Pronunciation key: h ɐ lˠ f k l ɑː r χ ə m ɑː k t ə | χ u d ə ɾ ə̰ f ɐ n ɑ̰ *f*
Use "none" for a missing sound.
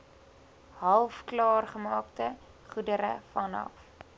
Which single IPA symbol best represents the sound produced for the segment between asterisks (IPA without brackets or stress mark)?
f